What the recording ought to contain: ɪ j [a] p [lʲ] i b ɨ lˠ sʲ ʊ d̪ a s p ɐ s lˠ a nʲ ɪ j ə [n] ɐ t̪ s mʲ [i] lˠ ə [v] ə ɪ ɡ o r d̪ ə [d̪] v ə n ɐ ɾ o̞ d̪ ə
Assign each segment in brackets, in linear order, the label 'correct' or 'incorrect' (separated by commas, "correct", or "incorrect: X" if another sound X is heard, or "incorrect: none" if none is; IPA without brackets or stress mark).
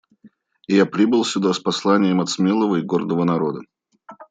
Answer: correct, incorrect: ɾʲ, incorrect: m, incorrect: e, correct, incorrect: none